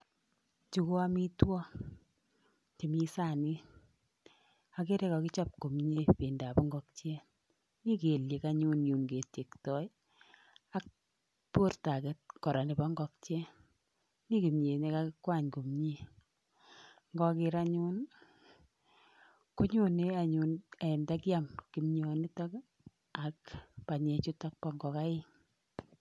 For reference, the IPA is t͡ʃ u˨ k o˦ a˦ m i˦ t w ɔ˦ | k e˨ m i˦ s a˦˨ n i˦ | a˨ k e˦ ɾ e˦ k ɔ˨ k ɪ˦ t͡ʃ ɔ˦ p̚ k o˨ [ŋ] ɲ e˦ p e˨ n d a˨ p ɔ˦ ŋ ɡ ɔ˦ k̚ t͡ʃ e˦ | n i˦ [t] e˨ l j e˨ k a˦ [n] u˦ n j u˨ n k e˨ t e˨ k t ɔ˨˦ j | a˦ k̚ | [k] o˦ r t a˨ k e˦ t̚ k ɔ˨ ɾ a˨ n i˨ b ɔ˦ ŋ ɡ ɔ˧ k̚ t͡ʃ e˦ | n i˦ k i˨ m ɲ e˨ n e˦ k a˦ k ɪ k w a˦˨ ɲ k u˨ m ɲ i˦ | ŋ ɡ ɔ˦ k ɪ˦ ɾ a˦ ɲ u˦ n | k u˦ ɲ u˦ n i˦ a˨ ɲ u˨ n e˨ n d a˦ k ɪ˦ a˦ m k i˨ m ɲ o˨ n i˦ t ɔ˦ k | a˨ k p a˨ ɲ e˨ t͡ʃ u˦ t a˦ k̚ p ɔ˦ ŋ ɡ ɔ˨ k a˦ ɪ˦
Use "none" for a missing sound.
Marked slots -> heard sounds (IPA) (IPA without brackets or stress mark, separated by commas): m, k, ɲ, p